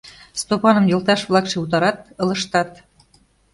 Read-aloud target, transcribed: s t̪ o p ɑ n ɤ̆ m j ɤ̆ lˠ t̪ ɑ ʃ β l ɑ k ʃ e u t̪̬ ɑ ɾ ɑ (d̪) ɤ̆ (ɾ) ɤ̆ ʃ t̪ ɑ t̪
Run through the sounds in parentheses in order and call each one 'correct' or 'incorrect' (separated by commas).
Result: incorrect, incorrect